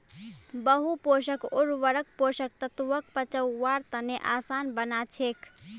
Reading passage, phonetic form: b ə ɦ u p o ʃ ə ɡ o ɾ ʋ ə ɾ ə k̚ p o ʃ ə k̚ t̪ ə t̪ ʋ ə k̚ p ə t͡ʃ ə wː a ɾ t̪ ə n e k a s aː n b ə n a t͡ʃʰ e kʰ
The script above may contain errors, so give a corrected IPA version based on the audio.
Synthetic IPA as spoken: b ə ɦ u p o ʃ ə k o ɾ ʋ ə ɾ ə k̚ p o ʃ ə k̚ t̪ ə t̪ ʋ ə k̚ p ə t͡ʃ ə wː a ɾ t̪ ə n e ʔ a s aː n b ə n a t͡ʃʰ e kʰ

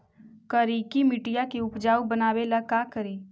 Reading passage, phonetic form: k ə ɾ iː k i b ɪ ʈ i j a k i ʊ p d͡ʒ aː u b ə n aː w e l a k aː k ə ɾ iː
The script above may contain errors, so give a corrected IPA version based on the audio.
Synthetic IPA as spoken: k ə ɾ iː k i m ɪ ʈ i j a k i ʊ p d͡ʒ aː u b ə n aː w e l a k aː k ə ɾ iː

